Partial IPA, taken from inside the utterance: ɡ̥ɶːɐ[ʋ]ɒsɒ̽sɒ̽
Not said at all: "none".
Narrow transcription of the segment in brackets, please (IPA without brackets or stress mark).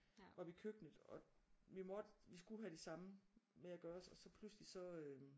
none